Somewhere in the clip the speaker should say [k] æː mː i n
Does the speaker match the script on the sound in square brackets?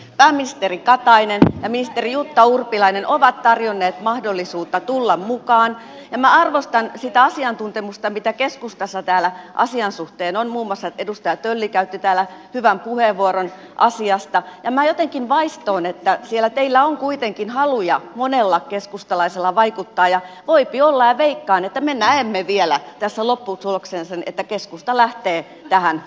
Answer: no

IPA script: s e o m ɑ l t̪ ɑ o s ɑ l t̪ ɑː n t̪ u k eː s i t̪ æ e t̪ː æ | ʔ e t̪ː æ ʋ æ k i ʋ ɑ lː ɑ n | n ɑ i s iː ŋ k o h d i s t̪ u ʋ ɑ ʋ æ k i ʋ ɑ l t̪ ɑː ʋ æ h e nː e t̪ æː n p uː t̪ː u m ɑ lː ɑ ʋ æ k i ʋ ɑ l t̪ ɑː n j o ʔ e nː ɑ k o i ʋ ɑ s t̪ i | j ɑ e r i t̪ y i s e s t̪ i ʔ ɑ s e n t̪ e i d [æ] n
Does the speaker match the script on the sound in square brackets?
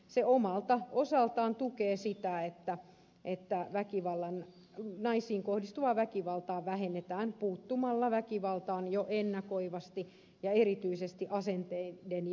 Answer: no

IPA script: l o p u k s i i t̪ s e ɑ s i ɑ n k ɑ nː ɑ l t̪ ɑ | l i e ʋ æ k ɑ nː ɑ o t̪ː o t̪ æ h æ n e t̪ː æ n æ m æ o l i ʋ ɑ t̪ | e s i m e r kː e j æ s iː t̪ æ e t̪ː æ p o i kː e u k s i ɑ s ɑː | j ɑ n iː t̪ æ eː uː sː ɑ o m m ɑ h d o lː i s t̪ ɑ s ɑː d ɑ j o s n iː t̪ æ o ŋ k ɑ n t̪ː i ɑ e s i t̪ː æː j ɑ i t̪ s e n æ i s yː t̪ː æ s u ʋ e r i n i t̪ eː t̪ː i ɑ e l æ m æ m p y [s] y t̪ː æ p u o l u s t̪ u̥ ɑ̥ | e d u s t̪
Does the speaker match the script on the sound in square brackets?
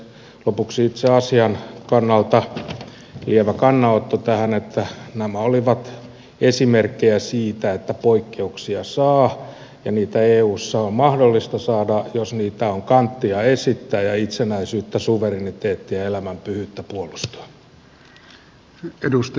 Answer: no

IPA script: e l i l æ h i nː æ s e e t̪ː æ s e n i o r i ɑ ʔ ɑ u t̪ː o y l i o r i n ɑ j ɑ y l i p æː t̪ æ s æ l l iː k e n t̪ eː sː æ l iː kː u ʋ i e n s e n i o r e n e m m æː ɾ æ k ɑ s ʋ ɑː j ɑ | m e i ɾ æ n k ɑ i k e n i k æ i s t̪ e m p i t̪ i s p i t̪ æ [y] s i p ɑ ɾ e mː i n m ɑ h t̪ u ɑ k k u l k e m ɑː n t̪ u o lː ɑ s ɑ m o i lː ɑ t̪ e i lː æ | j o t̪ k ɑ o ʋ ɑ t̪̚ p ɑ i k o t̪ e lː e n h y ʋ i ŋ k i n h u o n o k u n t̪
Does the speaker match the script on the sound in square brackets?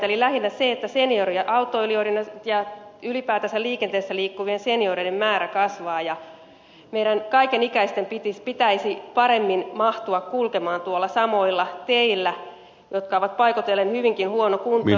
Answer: no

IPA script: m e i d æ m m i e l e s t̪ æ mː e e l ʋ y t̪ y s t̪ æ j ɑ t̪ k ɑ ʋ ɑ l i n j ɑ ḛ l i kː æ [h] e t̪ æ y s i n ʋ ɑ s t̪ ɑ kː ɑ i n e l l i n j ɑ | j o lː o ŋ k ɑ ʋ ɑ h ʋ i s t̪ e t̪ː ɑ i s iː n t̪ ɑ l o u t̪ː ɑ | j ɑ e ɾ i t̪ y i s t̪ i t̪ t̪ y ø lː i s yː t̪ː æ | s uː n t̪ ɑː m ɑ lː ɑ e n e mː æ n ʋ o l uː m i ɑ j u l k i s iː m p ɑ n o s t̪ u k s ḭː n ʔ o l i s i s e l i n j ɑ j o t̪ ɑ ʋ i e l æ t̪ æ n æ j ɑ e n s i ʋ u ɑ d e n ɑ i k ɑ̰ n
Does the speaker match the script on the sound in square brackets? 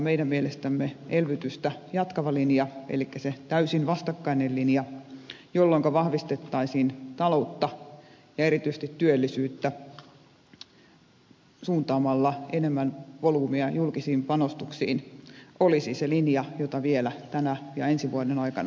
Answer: no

